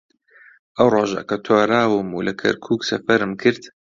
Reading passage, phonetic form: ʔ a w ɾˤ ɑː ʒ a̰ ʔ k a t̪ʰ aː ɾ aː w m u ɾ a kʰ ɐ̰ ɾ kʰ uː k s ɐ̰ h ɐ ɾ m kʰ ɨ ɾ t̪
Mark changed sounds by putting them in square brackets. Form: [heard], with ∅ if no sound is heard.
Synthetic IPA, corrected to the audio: ʔ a w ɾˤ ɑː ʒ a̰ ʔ k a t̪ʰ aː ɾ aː w m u [l] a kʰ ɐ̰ ɾ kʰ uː k s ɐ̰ [f] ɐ ɾ m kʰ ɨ ɾ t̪